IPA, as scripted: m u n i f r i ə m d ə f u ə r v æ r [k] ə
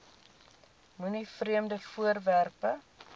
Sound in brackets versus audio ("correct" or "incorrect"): incorrect